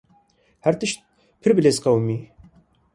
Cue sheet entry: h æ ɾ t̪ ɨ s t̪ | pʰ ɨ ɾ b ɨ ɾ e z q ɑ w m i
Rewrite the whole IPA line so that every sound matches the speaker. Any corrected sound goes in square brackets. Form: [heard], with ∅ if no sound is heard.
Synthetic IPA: h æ ɾ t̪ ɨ [ʃ] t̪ | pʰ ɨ ɾ b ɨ [l] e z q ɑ w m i

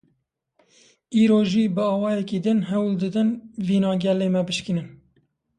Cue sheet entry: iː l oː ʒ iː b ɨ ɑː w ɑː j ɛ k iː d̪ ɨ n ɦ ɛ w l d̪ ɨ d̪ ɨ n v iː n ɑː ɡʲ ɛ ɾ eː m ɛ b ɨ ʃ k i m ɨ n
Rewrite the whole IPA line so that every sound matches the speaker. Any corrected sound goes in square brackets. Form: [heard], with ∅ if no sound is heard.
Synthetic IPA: iː [ɾ] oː ʒ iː b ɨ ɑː w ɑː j ɛ k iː d̪ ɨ n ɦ ɛ w l d̪ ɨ d̪ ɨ n v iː n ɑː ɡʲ ɛ [l] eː m ɛ b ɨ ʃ k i [n] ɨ n

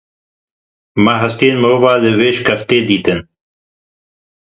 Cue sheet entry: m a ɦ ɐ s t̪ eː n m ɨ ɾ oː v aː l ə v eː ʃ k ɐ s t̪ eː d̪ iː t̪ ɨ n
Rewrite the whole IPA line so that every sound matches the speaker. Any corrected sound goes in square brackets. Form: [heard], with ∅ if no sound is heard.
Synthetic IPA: m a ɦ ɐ s t̪ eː n m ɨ ɾ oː v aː l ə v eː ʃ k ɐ [f] t̪ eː d̪ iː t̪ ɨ n

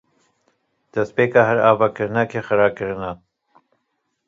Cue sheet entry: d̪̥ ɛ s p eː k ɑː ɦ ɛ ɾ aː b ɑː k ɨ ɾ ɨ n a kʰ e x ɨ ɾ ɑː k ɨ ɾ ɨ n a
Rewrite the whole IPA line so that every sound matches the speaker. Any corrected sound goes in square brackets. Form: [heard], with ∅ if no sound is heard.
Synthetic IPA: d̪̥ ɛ s p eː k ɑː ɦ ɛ ɾ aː [v] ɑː k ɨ ɾ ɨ n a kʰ e x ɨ ɾ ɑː k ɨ ɾ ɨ n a

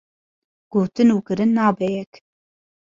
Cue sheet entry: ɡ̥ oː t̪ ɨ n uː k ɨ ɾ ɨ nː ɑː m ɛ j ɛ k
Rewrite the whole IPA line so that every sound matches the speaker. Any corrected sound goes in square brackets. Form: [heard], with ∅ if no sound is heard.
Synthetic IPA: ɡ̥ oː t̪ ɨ n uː k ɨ ɾ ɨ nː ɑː [b] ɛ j ɛ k

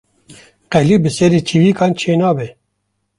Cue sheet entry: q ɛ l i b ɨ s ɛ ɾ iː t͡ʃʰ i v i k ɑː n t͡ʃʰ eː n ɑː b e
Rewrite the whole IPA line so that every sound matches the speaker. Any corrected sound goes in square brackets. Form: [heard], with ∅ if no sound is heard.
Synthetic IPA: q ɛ l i b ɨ s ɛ ɾ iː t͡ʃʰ i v i k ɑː n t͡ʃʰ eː n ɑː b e

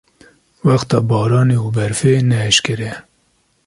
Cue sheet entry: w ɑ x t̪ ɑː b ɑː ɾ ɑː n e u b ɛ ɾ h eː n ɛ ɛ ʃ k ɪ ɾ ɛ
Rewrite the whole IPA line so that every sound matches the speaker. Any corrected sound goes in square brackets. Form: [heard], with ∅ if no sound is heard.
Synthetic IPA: w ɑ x t̪ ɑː b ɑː ɾ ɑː n e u b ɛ ɾ [f] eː n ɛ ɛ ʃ k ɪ ɾ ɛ

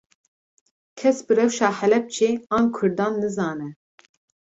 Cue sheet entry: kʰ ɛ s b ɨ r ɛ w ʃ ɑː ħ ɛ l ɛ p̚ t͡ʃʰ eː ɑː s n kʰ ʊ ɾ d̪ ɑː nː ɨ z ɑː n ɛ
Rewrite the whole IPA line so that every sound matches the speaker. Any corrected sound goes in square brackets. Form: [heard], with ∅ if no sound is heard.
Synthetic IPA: kʰ ɛ s b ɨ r ɛ w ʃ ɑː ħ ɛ l ɛ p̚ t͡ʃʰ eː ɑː [∅] n kʰ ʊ ɾ d̪ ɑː nː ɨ z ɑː n ɛ

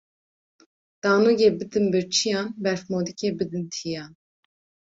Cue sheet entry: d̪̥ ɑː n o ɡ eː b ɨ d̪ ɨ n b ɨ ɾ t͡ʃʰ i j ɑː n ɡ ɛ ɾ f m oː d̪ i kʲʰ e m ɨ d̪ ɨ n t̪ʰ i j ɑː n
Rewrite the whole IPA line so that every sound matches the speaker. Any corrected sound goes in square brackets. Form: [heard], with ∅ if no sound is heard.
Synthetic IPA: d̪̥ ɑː n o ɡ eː b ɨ d̪ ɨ n b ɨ ɾ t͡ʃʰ i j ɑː n [b] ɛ ɾ f m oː d̪ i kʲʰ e [b] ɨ d̪ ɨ n t̪ʰ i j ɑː n

